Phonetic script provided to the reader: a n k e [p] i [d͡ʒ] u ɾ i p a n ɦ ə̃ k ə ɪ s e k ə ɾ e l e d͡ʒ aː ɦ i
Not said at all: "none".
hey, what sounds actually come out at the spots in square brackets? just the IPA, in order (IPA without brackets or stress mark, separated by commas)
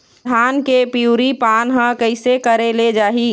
p, none